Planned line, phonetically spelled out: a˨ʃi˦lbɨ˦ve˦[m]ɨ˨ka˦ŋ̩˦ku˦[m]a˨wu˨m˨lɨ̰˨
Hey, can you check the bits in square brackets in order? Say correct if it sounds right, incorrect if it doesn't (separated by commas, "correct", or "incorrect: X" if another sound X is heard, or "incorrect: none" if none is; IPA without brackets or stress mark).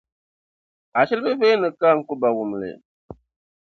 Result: incorrect: n, incorrect: b